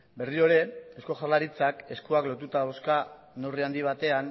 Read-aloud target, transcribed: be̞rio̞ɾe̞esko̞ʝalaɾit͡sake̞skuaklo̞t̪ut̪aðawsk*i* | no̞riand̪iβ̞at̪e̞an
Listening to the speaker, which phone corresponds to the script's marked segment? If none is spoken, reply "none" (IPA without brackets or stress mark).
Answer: a